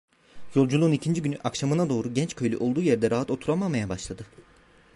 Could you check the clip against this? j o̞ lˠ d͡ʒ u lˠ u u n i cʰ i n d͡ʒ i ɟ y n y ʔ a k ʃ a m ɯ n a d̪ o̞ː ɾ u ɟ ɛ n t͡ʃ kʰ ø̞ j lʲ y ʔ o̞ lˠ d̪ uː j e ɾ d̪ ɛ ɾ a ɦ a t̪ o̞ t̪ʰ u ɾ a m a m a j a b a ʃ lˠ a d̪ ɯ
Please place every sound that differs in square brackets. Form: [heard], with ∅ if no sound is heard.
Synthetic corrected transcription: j o̞ lˠ d͡ʒ u lˠ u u n i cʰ i n d͡ʒ i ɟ y n y ʔ a k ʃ a m ɯ n a d̪ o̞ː ɾ u ɟ ɛ n t͡ʃ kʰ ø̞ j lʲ y ʔ o̞ lˠ d̪ uː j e ɾ d̪ ɛ ɾ a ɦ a t̪ o̞ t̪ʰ u ɾ a m a m a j a b a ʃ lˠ a d̪ ɯ

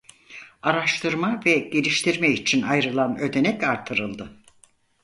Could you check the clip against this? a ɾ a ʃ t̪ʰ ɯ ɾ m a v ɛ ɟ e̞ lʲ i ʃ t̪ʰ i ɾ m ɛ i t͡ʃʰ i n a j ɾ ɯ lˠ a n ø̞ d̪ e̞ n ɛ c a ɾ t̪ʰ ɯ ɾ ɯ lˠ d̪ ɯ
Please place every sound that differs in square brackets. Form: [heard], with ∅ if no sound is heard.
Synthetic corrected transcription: a ɾ a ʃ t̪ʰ ɯ ɾ m a v ɛ ɟ e̞ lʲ i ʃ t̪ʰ i ɾ m ɛ i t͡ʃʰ i n a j ɾ ɯ lˠ a n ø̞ d̪ e̞ n ɛ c a ɾ t̪ʰ ɯ ɾ ɯ lˠ d̪ ɯ

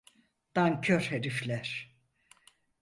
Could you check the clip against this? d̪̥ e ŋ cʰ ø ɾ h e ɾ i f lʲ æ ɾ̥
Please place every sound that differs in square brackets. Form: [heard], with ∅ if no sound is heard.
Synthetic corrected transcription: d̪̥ [a] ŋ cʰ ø ɾ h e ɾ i f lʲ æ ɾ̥

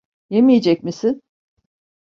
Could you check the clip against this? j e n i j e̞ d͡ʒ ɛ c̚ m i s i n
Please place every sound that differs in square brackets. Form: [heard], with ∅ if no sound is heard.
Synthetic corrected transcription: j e [m] i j e̞ d͡ʒ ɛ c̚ m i s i n

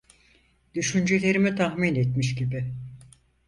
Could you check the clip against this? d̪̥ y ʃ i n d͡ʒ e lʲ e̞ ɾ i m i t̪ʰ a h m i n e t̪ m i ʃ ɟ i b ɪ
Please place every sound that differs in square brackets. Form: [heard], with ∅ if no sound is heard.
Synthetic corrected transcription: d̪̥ y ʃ [y] n d͡ʒ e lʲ e̞ ɾ i m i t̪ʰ a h m i n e t̪ m i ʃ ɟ i b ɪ

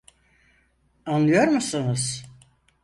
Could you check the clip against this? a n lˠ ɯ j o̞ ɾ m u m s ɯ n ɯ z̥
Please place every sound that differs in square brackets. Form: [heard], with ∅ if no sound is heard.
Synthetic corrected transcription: a n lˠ ɯ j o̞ ɾ m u [∅] s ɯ n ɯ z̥

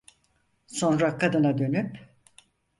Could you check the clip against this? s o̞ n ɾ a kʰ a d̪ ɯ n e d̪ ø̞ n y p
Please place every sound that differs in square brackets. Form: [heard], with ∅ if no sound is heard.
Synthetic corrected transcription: s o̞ n ɾ a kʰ a d̪ ɯ n [a] d̪ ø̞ n y p

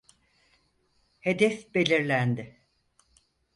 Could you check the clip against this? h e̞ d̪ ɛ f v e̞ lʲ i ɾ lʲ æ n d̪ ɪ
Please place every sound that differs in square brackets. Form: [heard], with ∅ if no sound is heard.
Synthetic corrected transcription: h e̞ d̪ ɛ f [b] e̞ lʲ i ɾ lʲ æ n d̪ ɪ

